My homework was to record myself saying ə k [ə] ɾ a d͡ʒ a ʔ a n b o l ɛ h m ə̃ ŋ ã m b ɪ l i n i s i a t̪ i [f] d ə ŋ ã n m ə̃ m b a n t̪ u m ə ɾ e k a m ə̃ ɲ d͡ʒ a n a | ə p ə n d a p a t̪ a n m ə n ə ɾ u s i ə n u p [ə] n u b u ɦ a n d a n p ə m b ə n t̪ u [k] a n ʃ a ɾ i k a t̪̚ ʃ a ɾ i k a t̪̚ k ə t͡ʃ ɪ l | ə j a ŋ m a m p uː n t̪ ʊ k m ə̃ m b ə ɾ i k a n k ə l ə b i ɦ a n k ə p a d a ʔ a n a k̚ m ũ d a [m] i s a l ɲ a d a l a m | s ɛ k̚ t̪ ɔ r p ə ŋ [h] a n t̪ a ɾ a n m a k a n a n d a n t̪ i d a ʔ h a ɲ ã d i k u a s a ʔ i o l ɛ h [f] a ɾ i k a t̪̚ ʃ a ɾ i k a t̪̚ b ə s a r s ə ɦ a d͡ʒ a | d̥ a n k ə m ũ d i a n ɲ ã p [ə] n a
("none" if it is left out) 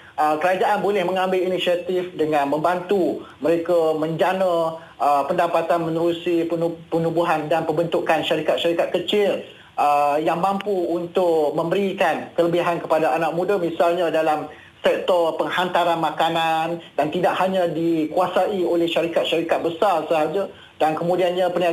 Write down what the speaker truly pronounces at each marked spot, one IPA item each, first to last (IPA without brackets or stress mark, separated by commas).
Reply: ə, f, ə, k, m, h, ʃ, ə